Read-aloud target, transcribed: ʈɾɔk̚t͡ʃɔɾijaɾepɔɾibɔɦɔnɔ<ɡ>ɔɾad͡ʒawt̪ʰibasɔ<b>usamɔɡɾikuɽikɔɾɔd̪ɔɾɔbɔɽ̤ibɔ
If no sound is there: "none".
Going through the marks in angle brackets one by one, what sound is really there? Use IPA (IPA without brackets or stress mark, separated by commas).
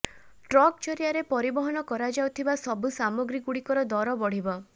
k, b